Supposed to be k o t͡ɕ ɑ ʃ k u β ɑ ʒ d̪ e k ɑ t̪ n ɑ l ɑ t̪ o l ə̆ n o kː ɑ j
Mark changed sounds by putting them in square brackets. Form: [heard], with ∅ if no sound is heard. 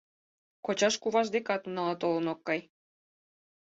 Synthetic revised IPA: k o t͡ɕ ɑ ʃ k u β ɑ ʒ d̪ e k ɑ t̪ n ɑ l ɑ t̪ o l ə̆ n o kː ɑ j

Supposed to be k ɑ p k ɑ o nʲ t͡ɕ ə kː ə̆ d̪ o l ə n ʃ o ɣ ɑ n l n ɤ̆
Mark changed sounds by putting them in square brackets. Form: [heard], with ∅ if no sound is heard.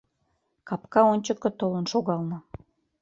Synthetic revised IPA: k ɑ p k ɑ o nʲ t͡ɕ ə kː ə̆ [t̪] o l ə n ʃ o ɣ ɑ [∅] l n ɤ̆

